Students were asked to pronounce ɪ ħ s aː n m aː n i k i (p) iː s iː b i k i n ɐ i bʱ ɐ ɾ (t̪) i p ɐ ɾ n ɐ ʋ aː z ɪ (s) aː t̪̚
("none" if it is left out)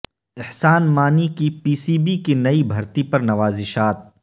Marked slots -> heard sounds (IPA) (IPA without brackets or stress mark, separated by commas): p, t̪, ʃ